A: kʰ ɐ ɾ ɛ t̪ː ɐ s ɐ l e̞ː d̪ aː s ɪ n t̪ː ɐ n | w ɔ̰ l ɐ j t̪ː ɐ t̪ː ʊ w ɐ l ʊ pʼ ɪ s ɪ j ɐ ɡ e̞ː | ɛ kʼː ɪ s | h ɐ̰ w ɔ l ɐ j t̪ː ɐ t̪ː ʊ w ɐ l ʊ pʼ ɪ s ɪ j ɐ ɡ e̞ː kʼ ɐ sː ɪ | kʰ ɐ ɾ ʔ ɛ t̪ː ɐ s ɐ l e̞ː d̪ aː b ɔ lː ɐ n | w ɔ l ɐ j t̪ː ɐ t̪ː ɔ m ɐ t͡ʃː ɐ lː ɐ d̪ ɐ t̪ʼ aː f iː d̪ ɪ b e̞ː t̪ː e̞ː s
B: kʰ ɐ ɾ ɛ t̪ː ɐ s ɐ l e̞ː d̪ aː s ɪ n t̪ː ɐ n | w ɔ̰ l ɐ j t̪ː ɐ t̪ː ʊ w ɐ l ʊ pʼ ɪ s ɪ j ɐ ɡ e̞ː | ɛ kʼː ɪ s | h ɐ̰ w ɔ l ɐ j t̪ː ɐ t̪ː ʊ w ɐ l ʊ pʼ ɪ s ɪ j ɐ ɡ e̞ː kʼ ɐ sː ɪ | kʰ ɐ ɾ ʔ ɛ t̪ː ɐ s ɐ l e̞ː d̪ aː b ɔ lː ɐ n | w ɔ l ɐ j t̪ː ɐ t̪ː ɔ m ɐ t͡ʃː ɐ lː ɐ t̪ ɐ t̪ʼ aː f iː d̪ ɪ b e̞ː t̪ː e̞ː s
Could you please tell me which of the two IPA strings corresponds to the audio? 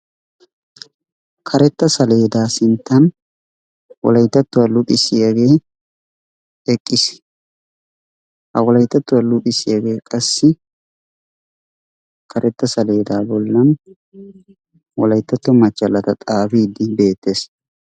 B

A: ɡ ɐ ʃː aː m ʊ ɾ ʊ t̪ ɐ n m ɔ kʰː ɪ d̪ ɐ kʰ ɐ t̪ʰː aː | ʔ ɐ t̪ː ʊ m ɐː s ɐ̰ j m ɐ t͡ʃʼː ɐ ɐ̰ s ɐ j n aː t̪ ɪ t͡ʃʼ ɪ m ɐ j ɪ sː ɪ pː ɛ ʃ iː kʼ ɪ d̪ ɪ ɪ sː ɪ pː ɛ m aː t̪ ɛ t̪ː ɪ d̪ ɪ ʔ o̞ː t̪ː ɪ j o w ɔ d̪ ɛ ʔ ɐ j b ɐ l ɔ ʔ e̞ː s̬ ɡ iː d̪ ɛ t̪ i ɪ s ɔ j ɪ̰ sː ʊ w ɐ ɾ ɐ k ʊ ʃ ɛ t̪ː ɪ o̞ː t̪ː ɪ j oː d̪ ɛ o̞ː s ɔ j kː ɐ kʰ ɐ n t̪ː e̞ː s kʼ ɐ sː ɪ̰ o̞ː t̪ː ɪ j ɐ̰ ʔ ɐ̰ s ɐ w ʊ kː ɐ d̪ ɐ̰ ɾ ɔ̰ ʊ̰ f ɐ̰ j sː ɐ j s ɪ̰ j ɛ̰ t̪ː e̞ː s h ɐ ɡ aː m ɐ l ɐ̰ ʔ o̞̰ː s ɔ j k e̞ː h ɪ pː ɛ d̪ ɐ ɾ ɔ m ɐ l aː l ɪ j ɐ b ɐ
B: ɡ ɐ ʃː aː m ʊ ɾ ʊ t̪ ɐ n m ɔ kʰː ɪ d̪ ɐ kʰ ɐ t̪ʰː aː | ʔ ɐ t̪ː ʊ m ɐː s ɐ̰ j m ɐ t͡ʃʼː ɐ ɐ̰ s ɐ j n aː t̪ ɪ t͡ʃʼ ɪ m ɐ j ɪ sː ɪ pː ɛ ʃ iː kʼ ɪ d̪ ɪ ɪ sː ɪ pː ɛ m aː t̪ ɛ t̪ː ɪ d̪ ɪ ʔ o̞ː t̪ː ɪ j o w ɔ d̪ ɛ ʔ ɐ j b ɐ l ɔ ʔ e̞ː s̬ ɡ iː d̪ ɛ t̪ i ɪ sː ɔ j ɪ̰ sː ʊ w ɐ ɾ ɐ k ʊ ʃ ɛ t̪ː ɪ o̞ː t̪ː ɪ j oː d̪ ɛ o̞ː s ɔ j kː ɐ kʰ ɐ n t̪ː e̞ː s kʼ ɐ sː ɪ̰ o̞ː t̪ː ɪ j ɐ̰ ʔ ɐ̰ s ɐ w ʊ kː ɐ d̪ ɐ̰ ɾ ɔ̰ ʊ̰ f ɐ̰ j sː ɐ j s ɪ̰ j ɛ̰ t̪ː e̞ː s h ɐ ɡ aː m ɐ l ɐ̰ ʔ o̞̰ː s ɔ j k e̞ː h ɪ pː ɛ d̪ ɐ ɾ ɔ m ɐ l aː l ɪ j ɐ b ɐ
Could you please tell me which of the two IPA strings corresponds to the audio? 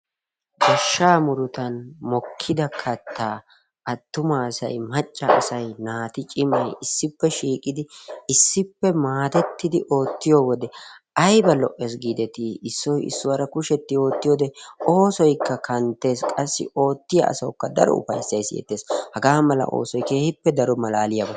B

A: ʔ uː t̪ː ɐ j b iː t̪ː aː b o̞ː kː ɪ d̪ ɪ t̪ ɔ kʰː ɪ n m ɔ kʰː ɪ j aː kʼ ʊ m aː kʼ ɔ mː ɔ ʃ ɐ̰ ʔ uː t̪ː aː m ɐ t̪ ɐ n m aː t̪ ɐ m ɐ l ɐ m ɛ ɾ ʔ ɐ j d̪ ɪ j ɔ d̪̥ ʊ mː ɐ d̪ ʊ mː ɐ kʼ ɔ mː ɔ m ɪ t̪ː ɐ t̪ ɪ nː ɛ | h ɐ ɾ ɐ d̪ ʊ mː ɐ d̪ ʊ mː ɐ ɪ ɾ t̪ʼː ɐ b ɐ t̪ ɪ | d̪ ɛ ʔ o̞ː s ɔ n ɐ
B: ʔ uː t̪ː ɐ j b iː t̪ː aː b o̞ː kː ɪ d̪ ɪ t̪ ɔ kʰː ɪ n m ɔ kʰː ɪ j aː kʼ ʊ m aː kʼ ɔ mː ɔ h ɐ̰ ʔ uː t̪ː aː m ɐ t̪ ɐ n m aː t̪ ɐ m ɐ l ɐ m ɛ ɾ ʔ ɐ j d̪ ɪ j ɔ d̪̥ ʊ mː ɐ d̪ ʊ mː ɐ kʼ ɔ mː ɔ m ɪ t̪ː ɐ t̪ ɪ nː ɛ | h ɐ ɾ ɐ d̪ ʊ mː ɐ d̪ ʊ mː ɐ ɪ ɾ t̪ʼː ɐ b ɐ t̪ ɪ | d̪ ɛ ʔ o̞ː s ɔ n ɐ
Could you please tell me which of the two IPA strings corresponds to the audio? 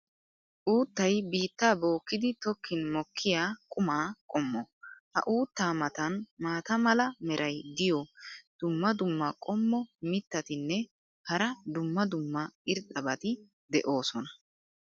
B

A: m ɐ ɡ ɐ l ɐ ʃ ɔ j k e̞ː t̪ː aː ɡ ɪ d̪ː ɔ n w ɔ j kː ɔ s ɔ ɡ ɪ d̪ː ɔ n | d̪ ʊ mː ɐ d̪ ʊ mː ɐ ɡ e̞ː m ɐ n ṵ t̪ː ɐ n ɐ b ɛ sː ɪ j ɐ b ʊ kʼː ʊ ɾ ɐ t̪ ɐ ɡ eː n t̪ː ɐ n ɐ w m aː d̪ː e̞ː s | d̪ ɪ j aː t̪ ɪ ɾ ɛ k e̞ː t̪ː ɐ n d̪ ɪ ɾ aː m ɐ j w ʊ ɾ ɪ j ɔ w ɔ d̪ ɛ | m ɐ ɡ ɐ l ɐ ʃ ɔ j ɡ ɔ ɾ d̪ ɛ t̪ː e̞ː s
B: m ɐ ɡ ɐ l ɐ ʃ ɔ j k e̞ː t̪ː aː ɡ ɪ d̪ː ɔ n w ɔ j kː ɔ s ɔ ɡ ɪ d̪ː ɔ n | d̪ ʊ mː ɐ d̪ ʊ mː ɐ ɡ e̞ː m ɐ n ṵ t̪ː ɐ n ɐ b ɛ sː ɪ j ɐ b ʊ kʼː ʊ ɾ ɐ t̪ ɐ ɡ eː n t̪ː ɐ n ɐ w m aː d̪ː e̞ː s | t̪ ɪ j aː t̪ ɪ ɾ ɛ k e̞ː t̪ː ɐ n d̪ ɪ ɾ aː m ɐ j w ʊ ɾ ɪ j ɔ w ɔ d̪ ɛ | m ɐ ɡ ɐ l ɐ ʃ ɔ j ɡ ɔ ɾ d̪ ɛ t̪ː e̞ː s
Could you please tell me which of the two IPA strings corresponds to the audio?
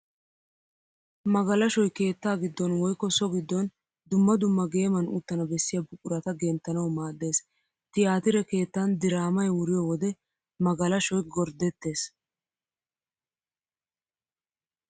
B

